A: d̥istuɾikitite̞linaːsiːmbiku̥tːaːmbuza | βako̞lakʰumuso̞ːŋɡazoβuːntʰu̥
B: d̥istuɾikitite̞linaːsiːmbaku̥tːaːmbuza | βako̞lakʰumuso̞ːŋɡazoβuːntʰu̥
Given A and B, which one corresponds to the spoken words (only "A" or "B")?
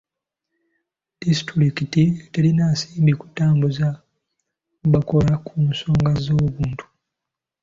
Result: A